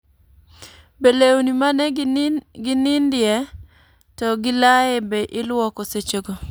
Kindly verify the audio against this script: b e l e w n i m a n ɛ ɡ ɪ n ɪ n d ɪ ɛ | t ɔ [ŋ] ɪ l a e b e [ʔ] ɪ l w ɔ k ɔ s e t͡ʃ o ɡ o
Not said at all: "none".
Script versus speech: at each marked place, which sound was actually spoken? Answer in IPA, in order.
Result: ɡ, ʔ

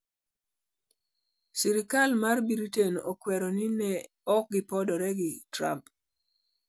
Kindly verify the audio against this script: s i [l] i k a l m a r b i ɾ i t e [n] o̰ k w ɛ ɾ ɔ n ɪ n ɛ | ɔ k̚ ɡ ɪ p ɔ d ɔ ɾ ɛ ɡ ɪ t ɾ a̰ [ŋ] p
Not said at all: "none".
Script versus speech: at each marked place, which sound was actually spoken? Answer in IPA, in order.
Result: ɾ, n, m

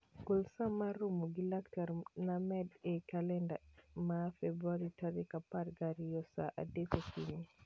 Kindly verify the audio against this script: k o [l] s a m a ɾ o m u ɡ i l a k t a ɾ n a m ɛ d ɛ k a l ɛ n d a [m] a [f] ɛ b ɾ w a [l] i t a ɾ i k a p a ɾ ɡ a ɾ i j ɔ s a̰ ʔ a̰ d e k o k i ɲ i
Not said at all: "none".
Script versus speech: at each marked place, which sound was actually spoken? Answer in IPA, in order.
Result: l, m, f, ɾ

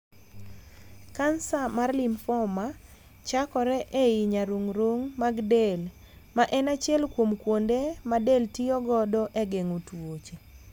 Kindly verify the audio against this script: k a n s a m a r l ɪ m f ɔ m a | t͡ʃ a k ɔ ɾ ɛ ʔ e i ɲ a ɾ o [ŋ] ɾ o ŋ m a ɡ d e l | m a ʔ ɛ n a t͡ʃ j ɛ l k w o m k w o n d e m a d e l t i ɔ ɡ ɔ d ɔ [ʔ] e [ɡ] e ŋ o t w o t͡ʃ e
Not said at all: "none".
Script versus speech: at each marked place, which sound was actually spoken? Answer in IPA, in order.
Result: ŋ, ʔ, ɡ

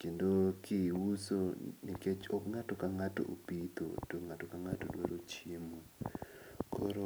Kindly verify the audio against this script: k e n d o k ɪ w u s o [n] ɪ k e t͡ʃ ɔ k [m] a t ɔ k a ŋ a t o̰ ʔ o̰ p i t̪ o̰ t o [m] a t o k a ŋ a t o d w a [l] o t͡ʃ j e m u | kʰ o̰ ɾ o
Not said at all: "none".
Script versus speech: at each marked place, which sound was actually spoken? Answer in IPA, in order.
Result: n, ŋ, ŋ, ɾ

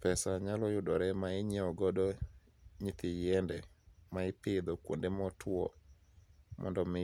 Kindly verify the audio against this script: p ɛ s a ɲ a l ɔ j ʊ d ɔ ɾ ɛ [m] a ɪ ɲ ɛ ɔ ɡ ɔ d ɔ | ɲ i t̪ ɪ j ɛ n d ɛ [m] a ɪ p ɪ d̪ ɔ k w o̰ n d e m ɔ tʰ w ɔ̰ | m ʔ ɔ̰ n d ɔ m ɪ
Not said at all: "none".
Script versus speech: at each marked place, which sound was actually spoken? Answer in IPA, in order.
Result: m, m

